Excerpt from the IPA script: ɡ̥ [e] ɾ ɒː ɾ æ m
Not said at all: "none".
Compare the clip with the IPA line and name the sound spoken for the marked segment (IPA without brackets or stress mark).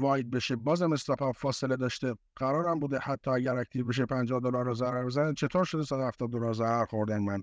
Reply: æ